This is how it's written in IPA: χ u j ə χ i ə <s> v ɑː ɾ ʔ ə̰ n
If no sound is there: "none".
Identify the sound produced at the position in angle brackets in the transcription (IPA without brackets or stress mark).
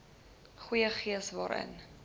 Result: s